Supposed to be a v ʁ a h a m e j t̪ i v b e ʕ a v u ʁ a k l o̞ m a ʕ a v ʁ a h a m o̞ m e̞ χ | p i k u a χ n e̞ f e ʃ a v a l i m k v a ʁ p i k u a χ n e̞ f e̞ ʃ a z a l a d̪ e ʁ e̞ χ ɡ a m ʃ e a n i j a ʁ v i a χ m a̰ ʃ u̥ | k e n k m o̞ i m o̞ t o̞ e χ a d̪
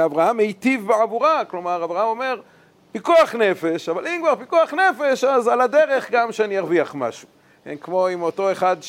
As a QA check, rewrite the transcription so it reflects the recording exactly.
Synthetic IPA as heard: a v ʁ a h a m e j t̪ i v b e ʕ a v u ʁ a k l o̞ m a ʁ a v ʁ a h a m o̞ m e̞ ʁ | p i k u a χ n e̞ f e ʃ a v a l i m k v a ʁ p i k u a χ n e̞ f e̞ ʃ a z a l a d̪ e ʁ e̞ χ ɡ a m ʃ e a n i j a ʁ v i a χ m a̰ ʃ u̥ | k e n k m o̞ i m o̞ t o̞ e χ a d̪